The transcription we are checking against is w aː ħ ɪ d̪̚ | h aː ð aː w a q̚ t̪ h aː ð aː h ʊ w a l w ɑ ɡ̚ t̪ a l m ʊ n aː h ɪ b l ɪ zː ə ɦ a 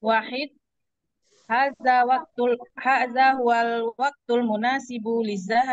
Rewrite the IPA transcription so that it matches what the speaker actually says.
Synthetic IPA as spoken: w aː ħ ɪ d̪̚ | h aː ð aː w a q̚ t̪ h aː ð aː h ʊ w a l w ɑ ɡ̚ t̪ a l m ʊ n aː s ɪ b l ɪ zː a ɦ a